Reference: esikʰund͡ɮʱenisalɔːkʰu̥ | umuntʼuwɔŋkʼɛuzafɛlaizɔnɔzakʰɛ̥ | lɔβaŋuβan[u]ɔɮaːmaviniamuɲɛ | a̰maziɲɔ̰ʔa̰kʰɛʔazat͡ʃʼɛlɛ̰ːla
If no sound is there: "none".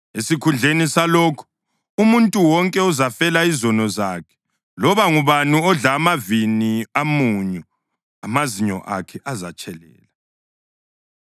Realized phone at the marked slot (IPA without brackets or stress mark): u